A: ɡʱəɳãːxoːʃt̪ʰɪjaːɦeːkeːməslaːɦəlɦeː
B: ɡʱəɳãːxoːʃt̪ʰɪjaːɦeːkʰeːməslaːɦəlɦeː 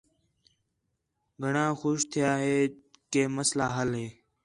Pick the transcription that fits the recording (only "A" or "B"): A